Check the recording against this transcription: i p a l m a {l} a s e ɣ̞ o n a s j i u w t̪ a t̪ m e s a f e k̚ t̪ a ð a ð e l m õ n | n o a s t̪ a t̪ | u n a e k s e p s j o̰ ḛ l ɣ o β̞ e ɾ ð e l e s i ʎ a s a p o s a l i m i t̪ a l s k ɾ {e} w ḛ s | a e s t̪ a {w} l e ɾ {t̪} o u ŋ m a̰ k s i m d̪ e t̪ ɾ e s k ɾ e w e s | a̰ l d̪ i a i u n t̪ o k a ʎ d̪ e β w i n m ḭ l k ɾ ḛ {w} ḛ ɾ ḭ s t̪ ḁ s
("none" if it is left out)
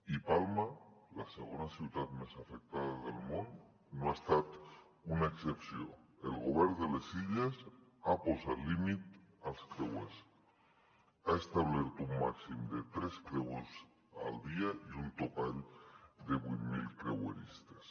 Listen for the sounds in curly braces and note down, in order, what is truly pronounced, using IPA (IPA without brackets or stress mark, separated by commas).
l, e, β, t̪, w